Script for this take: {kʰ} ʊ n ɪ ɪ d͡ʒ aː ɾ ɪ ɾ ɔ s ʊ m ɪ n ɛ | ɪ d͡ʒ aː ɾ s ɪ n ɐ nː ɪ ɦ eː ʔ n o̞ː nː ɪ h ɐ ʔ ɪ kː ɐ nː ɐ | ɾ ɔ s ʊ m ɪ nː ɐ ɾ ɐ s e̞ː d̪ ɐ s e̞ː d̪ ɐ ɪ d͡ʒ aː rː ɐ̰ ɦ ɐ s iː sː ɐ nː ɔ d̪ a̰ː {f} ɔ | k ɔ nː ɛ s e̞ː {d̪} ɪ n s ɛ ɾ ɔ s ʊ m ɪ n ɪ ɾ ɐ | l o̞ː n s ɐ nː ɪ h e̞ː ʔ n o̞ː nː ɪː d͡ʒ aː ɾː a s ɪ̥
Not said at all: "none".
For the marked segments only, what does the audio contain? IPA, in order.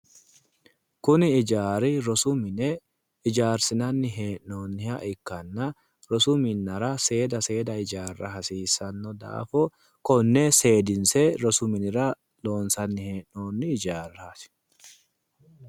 k, f, d̪

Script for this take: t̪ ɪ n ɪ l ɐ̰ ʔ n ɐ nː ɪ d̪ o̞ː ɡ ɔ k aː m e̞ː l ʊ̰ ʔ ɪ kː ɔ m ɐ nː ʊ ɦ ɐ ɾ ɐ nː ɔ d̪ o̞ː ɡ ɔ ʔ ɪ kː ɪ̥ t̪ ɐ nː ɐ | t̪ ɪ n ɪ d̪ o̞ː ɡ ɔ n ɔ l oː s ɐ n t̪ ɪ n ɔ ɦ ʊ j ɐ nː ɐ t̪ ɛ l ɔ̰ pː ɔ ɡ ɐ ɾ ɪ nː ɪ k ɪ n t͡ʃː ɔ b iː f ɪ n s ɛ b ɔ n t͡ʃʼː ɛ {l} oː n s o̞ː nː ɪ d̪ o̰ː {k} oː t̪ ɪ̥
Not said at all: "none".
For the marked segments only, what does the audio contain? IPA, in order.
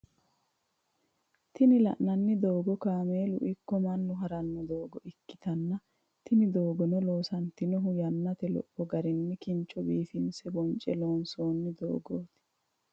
l, ɡ

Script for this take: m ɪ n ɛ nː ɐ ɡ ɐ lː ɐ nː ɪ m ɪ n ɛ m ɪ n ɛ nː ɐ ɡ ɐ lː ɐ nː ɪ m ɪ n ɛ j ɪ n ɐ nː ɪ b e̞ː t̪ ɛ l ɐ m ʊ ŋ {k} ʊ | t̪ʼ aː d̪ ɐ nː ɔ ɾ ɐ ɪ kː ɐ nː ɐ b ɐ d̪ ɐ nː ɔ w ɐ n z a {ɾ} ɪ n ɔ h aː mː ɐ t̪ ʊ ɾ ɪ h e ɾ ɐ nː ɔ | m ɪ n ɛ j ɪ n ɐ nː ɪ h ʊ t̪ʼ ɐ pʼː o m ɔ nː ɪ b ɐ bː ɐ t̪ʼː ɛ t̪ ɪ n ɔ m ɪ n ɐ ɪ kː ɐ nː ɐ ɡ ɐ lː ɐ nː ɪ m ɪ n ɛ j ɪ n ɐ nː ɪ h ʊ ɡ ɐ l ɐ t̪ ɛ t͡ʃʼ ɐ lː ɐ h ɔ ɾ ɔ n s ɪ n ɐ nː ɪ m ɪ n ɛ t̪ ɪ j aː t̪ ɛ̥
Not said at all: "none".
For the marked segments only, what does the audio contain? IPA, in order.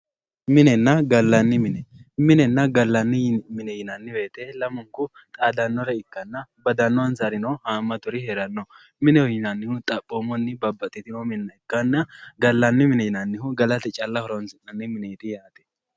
k, ɾ

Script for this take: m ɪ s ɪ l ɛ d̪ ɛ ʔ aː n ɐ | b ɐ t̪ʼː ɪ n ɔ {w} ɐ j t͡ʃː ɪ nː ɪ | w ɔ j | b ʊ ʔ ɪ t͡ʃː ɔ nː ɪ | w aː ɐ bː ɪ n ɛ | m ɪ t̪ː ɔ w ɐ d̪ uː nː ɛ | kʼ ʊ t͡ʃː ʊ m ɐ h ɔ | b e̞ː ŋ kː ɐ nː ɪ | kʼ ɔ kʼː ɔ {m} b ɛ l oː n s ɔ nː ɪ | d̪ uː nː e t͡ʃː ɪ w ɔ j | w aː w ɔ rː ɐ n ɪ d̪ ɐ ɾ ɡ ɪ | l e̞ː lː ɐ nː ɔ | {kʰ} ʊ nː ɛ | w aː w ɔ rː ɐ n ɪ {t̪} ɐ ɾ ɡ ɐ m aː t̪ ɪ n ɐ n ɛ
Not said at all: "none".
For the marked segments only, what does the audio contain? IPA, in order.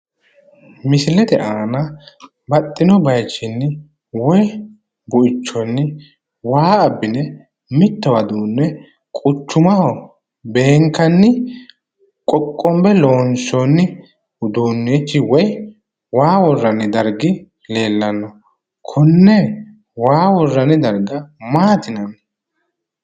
b, m, kʰ, d̪

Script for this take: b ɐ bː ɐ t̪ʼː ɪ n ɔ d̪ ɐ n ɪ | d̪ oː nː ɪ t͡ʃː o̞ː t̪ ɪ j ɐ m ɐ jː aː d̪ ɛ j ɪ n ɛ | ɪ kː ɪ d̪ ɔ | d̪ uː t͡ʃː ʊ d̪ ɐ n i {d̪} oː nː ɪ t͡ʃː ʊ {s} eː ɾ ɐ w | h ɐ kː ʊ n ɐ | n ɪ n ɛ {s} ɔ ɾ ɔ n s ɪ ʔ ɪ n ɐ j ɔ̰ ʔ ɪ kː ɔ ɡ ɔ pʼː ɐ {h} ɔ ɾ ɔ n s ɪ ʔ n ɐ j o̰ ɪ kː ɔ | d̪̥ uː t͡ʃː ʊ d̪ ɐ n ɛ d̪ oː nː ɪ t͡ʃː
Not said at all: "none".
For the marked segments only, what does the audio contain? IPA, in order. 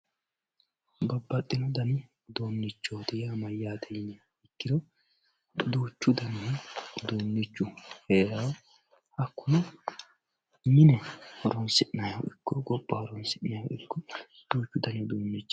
d̪, h, h, h

